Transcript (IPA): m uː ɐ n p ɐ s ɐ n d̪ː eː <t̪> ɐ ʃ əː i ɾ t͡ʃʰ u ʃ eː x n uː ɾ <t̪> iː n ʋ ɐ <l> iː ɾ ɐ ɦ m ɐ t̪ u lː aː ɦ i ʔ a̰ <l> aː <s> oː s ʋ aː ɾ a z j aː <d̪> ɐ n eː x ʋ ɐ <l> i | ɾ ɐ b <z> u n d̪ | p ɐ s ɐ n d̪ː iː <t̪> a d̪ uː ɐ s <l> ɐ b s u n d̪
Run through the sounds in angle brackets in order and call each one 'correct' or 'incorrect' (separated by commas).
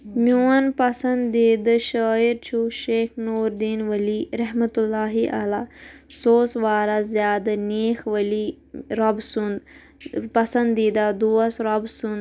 incorrect, incorrect, correct, correct, correct, correct, correct, incorrect, incorrect, incorrect